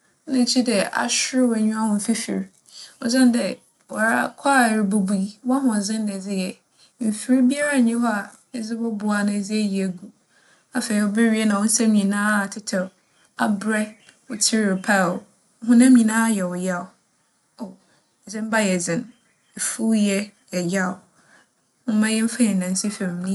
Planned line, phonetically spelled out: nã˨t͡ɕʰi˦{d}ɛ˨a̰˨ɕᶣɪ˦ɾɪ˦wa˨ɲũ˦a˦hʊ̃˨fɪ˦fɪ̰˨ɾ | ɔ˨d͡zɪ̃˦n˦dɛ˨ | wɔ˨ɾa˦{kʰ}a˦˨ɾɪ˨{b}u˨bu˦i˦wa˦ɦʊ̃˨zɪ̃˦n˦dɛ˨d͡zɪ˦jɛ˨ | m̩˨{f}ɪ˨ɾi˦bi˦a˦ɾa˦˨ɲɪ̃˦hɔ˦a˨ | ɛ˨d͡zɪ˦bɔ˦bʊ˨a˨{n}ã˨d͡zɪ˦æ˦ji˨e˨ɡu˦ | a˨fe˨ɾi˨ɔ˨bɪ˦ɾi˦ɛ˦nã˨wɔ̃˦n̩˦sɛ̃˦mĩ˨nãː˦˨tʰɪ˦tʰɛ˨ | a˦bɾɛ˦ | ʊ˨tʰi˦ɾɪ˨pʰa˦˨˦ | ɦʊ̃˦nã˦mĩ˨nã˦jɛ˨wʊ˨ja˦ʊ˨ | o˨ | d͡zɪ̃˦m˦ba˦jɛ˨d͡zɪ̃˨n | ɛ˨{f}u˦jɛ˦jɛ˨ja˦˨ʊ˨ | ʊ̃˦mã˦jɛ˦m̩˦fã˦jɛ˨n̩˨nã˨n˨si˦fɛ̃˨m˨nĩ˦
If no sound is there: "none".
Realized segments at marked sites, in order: d, kʰ, b, f, n, f

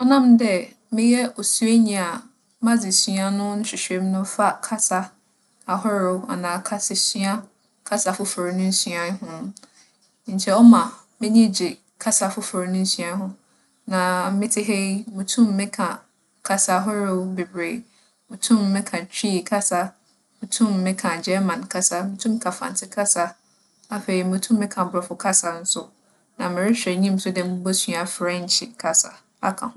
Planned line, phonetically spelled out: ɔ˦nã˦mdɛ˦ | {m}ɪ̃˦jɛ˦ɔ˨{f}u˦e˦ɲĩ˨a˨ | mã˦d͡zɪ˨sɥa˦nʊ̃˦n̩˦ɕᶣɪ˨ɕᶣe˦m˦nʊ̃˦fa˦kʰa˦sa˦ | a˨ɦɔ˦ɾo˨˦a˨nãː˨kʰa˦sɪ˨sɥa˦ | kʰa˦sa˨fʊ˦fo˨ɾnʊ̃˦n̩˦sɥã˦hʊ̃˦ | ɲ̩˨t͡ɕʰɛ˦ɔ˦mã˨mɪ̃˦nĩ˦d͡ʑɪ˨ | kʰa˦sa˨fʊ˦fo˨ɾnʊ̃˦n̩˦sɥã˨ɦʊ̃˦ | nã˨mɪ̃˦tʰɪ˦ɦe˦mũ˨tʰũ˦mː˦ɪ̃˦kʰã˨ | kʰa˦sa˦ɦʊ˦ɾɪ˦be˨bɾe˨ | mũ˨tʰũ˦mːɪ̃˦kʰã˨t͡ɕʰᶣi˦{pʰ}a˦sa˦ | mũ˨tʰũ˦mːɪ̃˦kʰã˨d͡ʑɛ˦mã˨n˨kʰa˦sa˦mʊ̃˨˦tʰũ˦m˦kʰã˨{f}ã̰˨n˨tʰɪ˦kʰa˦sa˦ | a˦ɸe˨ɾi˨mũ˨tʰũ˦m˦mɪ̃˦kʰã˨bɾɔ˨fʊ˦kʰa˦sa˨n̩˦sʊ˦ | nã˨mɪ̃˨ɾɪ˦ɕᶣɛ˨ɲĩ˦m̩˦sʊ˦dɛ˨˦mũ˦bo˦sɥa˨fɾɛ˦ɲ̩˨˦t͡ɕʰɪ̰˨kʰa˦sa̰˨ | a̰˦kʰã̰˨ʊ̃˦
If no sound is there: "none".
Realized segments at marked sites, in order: m, s, kʰ, f

